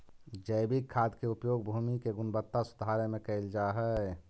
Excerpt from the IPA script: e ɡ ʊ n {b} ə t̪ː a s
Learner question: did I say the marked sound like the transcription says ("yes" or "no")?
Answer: yes